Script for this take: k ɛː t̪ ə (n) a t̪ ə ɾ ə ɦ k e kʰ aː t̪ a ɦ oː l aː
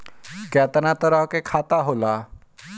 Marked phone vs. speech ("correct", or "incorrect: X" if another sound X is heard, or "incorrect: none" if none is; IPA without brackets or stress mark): correct